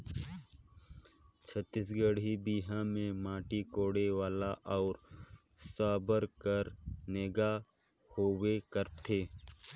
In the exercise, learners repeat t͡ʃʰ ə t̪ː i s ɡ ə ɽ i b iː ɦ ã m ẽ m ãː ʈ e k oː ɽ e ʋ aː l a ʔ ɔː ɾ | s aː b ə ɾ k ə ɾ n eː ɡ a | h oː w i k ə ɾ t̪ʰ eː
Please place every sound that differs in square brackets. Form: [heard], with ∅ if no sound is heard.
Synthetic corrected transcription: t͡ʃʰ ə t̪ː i s ɡ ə ɽ i b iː ɦ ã m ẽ m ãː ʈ [i] k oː ɽ e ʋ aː l a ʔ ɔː ɾ | s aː b ə ɾ k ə ɾ n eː ɡ a | h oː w [e] k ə ɾ t̪ʰ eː